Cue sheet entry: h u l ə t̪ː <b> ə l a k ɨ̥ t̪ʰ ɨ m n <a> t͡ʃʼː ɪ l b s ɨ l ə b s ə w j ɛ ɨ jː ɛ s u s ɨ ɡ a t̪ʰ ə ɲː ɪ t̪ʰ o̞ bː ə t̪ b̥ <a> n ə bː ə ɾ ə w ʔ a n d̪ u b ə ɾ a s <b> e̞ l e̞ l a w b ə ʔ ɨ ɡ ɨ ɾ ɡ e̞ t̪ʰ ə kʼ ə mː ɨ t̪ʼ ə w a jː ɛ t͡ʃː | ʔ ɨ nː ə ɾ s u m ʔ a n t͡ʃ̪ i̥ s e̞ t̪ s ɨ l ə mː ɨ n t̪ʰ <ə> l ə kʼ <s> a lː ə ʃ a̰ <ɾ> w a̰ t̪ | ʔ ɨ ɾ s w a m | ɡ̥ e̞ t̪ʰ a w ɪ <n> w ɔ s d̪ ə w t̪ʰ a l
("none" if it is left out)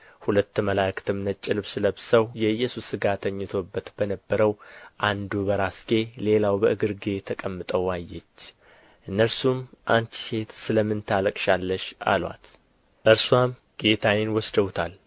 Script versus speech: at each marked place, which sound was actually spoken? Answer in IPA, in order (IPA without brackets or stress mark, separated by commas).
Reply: m, ə, ə, ɡ, a, ʃ, l, n